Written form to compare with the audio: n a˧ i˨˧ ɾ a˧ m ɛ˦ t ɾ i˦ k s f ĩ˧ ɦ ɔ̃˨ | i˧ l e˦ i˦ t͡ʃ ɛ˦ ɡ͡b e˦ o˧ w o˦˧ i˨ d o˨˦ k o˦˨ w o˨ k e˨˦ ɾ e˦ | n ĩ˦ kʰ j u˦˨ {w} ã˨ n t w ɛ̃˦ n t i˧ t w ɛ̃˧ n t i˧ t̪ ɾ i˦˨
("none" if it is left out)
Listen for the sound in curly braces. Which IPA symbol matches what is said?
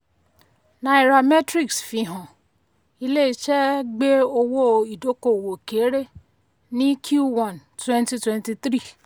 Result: w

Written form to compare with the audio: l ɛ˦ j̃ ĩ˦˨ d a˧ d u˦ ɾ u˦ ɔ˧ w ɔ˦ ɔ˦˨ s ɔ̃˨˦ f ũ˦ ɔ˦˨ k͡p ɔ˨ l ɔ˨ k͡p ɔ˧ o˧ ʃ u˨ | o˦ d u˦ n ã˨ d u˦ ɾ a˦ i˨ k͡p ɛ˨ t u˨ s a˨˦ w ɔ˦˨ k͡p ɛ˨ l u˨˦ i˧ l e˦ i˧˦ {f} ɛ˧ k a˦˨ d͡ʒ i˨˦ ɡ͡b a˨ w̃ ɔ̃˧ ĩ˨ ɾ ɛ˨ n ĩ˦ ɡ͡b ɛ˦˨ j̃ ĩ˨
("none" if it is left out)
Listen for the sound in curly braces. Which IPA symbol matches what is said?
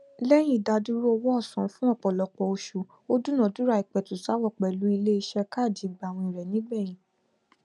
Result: ʃ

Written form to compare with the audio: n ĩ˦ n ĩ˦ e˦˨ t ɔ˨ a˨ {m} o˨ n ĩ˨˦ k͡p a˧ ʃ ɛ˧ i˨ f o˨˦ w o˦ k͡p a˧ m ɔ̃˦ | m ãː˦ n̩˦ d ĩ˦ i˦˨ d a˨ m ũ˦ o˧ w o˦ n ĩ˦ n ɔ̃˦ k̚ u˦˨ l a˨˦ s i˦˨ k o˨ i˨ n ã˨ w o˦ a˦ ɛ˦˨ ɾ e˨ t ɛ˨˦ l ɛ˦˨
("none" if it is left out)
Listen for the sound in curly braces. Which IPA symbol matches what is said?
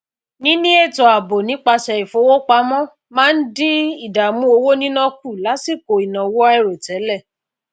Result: b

